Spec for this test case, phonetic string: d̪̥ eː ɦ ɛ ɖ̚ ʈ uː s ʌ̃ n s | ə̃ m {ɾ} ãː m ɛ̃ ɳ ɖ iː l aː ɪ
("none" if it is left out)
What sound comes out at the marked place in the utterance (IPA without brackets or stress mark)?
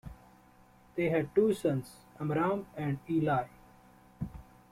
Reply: ɾ